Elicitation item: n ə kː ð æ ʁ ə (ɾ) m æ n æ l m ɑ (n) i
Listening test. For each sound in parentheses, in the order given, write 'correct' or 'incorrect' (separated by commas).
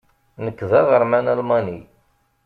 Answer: correct, correct